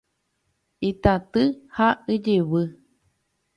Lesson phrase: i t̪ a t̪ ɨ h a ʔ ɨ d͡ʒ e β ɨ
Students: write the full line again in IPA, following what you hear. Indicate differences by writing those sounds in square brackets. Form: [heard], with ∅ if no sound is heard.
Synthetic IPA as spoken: i t̪ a t̪ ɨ h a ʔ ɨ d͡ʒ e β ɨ